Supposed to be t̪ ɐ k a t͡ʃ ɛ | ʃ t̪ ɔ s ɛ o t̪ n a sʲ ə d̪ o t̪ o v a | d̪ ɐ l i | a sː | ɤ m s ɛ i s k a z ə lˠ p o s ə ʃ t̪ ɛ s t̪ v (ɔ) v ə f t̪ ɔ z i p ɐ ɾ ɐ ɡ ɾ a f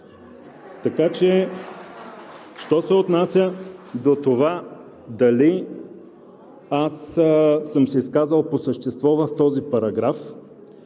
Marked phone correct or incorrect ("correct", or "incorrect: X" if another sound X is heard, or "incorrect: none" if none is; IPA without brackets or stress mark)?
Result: correct